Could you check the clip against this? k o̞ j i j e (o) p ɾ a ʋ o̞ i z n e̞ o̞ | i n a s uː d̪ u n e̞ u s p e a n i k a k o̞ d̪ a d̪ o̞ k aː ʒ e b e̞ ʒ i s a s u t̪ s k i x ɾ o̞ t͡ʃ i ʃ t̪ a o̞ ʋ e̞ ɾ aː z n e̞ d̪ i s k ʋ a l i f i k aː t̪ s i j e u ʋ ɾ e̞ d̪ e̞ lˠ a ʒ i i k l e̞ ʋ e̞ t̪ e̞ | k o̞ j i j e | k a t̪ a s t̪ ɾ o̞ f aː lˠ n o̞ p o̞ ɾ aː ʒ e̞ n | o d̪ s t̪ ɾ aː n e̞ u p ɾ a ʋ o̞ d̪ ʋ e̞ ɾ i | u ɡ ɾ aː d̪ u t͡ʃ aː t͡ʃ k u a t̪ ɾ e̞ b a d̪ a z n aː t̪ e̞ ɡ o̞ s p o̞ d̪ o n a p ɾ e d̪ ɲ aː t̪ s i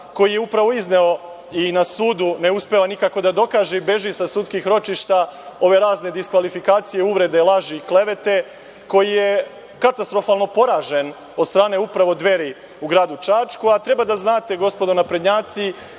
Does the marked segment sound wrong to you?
yes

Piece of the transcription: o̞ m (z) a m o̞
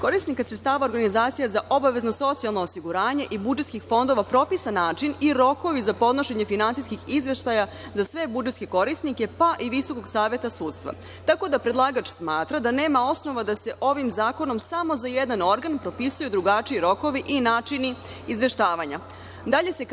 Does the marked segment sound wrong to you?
yes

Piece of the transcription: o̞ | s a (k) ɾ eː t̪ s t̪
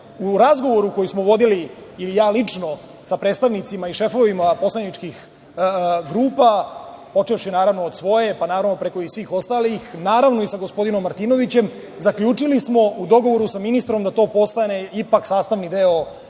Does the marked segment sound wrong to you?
yes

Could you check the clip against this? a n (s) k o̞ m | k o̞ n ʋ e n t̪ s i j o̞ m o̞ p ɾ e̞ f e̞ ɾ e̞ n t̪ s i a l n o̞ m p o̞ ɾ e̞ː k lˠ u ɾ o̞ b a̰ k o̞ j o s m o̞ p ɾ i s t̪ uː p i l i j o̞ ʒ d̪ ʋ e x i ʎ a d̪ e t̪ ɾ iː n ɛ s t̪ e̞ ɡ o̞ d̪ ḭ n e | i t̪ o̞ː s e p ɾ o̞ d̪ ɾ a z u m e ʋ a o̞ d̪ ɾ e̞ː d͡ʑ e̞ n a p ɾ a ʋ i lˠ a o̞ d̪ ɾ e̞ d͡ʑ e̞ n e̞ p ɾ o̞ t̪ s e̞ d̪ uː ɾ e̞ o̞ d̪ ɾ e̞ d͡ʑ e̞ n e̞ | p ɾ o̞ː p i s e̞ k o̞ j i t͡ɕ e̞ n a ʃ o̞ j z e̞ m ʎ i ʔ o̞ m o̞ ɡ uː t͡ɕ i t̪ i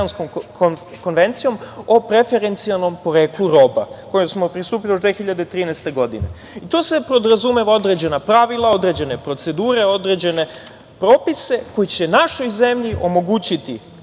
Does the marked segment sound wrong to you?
no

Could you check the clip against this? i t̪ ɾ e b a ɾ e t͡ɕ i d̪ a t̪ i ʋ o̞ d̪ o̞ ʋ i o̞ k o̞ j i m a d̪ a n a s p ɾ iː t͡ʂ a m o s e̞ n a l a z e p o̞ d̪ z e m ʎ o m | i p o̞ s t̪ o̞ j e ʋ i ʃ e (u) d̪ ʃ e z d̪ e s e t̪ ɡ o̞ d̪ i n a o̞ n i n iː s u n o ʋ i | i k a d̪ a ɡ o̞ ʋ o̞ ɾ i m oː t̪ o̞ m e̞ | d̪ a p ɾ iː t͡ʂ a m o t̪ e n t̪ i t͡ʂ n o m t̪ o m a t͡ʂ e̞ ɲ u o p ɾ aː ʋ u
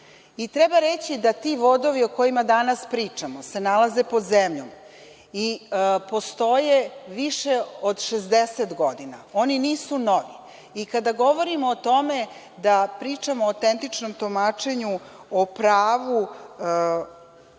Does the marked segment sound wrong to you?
yes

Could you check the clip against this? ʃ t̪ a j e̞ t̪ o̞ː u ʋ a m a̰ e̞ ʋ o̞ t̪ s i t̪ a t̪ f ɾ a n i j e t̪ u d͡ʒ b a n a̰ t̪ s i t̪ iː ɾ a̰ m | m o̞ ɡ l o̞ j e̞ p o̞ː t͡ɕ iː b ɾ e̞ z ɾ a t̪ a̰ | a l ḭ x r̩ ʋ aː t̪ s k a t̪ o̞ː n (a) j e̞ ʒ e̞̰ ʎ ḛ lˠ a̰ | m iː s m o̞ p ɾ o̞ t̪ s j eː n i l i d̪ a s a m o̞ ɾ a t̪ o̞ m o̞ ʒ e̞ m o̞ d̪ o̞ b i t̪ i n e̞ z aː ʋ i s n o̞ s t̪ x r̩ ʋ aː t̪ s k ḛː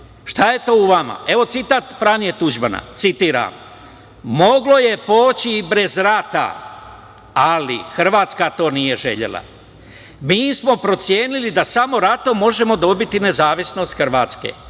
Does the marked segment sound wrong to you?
yes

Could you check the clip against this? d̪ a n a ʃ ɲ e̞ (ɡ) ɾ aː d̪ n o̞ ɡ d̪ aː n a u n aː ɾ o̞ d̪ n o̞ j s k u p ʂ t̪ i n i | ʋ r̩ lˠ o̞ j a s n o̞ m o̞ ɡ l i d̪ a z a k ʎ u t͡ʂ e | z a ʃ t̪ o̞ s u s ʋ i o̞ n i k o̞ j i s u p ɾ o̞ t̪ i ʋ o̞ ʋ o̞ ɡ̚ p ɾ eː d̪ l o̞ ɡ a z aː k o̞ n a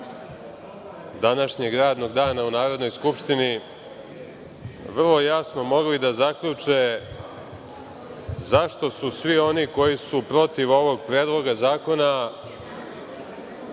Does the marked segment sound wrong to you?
no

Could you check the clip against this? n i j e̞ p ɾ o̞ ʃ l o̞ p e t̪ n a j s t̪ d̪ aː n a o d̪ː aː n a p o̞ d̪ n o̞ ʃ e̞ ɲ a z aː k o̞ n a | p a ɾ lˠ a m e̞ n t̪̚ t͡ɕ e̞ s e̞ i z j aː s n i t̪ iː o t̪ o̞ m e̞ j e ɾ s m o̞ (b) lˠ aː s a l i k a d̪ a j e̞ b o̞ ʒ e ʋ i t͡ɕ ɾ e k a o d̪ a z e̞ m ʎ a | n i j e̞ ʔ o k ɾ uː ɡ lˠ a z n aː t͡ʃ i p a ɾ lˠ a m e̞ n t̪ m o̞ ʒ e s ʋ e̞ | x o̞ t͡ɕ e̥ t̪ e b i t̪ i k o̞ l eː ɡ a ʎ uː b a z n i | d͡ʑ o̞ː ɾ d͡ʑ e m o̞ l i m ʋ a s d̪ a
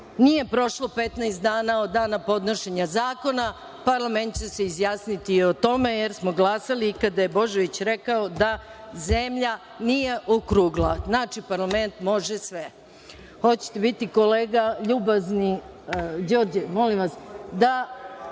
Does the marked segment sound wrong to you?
yes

